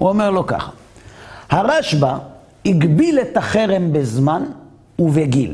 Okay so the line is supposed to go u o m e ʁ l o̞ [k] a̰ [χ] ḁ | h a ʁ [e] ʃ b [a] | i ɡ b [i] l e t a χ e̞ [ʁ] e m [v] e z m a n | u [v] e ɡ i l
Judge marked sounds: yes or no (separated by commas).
yes, yes, no, yes, yes, yes, no, yes